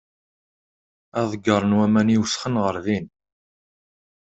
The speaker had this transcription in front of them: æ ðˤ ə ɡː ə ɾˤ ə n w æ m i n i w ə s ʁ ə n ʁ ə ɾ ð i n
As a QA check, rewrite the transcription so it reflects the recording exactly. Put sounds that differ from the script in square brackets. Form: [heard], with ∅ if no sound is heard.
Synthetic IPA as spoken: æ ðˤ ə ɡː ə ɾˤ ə n w æ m [æ] n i w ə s [χ] ə n ʁ ə ɾ ð i n